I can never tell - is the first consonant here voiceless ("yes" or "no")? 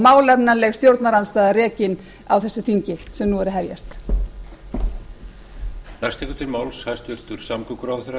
no